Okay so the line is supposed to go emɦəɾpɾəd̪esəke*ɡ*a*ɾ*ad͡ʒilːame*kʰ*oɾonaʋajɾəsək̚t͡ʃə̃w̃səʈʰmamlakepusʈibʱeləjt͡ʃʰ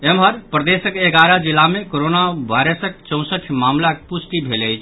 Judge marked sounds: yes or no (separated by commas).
yes, yes, no